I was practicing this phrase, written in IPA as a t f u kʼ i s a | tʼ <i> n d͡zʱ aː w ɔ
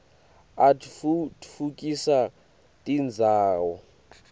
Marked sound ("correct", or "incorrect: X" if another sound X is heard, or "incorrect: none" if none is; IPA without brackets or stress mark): correct